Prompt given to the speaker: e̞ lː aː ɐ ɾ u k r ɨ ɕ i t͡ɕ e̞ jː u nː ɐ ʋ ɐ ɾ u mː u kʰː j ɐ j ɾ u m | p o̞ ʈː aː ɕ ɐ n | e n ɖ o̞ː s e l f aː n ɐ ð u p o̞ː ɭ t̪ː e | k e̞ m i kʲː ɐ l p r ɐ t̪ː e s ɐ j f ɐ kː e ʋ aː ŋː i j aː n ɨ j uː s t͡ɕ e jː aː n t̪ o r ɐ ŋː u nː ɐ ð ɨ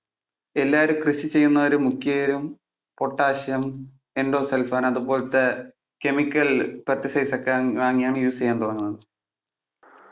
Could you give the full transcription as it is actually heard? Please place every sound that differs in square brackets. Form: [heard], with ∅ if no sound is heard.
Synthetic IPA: e̞ lː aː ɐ ɾ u k r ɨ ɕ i t͡ɕ e̞ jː u nː ɐ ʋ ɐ ɾ u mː u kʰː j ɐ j ɾ u m | p o̞ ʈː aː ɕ ɐ [m] | e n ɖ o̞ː s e l f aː n ɐ ð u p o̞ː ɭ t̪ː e | k e̞ m i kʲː ɐ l p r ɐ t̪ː [i] s ɐ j [s] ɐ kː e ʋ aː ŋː i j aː [ɳ] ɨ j uː s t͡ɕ e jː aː n t̪ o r ɐ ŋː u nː ɐ ð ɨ